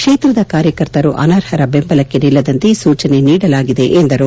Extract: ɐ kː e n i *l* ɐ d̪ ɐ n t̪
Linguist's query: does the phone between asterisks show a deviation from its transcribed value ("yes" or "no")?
yes